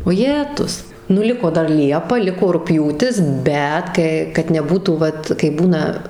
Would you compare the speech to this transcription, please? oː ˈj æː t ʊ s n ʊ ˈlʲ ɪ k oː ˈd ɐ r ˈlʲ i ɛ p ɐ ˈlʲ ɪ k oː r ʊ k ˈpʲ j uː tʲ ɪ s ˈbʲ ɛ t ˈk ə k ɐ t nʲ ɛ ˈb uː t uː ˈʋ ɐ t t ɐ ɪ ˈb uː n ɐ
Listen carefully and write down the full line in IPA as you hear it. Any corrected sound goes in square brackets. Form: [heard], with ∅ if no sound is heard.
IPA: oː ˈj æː t ʊ s n ʊ ˈlʲ ɪ k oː ˈd ɐ r ˈlʲ i ɛ p ɐ ˈlʲ ɪ k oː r ʊ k ˈpʲ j uː tʲ ɪ s ˈbʲ ɛ t ˈk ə k ɐ t nʲ ɛ ˈb uː t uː ˈʋ ɐ t [k] ɐ ɪ ˈb uː n ɐ

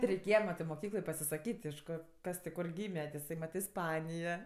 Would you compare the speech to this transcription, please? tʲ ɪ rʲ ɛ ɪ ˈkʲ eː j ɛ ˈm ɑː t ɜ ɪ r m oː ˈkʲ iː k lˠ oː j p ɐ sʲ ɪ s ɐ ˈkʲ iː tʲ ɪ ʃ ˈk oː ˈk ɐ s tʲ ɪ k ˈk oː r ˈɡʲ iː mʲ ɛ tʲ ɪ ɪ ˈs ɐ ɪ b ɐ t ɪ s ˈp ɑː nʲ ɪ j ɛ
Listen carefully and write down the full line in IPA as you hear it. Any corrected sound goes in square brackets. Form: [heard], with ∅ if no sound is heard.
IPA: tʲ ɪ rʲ ɛ ɪ ˈkʲ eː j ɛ ˈm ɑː t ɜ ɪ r m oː ˈkʲ iː k lˠ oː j p ɐ sʲ ɪ s ɐ ˈkʲ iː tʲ ɪ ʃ ˈk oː ˈk ɐ s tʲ ɪ k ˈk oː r ˈɡʲ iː mʲ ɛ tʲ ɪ ɪ ˈs ɐ ɪ [m] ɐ t ɪ s ˈp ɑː nʲ ɪ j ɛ

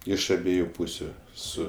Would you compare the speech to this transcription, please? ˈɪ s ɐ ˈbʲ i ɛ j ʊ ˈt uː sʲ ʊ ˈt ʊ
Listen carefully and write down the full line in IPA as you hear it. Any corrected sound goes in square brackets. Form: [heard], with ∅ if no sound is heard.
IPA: ˈɪ [ʃ] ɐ ˈbʲ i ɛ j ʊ [ˈp] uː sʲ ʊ [ˈs] ʊ

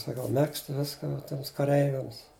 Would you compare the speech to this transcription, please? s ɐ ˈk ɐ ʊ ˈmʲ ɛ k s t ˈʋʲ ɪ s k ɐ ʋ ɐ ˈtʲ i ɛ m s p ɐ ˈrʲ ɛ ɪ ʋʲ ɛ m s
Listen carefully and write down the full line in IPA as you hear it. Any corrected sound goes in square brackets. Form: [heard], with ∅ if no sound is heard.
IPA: s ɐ ˈk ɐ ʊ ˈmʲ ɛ k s t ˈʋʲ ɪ s k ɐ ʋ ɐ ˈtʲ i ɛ m s [k] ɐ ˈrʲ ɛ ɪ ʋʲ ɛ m s

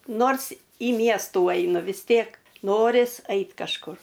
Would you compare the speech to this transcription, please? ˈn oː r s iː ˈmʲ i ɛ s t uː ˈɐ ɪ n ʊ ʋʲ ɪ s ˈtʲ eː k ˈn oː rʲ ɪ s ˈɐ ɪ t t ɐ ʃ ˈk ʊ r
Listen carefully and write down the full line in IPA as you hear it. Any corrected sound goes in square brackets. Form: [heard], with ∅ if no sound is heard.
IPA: ˈn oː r s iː ˈmʲ i ɛ s t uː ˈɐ ɪ n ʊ ʋʲ ɪ s ˈtʲ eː k ˈn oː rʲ ɪ s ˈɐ ɪ t [k] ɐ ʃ ˈk ʊ r

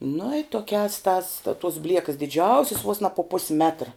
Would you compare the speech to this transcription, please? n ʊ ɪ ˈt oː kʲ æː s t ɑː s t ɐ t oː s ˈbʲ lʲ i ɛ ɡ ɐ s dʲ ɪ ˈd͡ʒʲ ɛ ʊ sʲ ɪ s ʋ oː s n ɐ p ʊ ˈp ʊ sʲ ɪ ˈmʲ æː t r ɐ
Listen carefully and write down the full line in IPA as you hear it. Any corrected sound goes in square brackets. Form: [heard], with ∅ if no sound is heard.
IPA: n ʊ ɪ ˈt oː kʲ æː s t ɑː s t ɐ t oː s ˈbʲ lʲ i ɛ [k] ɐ s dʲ ɪ ˈd͡ʒʲ ɛ ʊ sʲ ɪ s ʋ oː s n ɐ p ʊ ˈp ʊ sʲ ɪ ˈmʲ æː t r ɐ

